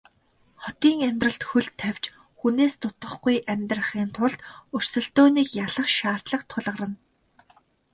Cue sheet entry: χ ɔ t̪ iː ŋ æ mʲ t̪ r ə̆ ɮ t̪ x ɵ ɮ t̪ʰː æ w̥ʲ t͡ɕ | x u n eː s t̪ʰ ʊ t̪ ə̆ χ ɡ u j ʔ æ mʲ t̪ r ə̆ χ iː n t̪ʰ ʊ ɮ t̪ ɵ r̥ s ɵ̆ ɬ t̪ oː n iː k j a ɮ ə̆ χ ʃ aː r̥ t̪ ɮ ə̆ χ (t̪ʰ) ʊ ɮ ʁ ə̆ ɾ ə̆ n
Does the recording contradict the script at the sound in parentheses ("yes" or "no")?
no